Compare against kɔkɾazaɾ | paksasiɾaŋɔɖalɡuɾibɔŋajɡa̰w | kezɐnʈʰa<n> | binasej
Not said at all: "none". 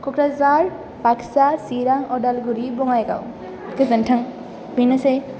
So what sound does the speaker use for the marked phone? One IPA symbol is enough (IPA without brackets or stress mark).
ŋ